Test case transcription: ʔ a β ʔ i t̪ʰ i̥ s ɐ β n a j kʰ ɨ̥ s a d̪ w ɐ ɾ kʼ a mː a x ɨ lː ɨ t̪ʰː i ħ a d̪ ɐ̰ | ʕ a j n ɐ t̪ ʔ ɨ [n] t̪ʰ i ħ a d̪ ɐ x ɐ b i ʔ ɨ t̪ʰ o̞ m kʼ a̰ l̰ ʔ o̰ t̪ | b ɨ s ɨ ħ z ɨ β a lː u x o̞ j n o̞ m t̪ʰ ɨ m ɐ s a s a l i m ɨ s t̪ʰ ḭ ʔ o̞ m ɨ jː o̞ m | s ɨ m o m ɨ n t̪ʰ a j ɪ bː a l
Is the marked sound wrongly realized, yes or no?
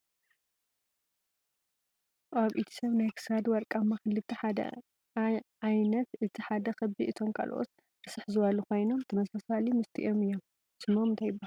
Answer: yes